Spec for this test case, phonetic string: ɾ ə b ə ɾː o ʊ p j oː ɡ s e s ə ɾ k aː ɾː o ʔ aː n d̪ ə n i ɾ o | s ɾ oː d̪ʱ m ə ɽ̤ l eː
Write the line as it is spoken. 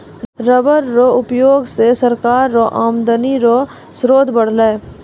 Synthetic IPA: ɾ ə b ə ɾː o ʊ p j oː ɡ s e s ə ɾ k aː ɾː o ʔ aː m d̪ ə n i ɾ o | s ɾ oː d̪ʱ b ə ɽ̤ l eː